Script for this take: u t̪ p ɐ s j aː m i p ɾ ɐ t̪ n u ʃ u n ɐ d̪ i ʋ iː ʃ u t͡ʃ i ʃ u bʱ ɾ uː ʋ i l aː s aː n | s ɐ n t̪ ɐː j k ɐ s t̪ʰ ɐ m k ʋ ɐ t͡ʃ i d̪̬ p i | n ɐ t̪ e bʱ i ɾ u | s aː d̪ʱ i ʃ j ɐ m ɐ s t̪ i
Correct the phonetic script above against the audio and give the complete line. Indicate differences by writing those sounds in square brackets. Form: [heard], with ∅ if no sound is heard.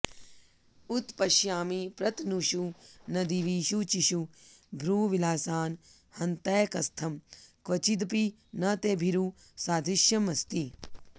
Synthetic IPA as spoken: u t̪ p ɐ [ʃ] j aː m i p ɾ ɐ t̪ n u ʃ u n ɐ d̪ i ʋ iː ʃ u t͡ʃ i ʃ u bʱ ɾ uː ʋ i l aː s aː n | [h] ɐ n t̪ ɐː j k ɐ s t̪ʰ ɐ m k ʋ ɐ t͡ʃ i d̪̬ p i | n ɐ t̪ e bʱ i ɾ u | s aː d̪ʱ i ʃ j ɐ m ɐ s t̪ i